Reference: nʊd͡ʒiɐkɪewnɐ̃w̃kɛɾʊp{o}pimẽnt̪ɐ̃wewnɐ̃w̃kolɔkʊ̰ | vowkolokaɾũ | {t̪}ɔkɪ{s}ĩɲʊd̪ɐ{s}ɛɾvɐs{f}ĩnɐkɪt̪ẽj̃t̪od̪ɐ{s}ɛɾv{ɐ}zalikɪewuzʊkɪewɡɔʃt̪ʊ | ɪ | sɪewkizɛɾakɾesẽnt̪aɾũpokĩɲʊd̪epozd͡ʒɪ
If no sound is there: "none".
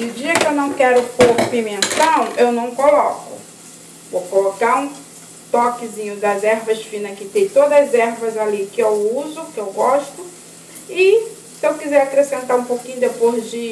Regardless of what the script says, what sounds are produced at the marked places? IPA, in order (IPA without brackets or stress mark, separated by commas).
o, t̪, z, z, f, z, ɐ